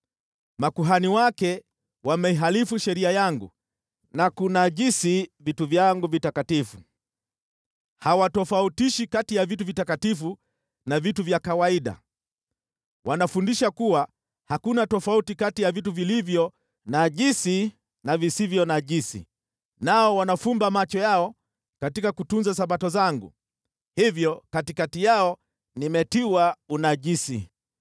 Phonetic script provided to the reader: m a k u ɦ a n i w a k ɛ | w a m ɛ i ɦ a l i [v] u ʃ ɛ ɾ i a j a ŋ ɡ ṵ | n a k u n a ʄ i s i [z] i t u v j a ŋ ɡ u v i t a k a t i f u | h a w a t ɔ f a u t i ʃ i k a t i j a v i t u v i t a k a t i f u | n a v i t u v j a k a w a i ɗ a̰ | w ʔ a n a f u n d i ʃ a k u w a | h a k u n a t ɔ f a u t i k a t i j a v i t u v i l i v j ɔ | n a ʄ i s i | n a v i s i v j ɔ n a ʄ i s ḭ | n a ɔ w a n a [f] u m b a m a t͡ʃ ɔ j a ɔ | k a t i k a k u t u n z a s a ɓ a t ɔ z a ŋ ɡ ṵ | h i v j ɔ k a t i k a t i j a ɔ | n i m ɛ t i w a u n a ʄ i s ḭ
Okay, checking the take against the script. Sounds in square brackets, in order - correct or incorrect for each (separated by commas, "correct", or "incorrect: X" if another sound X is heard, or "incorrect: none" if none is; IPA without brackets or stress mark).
incorrect: f, incorrect: v, correct